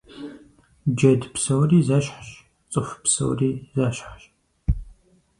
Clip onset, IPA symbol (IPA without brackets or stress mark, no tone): d͡ʒ